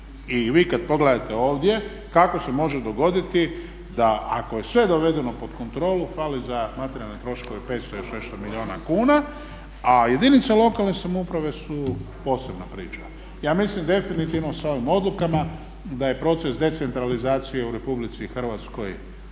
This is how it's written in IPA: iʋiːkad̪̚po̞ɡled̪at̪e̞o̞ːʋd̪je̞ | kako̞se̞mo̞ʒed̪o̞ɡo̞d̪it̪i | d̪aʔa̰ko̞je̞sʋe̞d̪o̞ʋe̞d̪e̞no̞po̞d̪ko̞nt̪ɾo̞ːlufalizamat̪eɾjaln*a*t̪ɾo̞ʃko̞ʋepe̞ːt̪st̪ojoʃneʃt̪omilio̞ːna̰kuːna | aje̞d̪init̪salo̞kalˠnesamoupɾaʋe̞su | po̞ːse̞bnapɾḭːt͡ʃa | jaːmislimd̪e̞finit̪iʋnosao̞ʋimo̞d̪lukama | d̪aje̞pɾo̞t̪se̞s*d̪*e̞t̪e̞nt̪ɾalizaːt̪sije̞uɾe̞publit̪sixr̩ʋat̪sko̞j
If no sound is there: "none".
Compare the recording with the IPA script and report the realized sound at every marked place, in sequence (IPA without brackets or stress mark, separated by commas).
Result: e, d̪